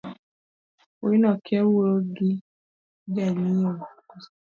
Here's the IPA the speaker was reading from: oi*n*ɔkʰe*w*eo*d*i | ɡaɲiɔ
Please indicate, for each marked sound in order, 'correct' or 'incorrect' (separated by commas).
correct, correct, incorrect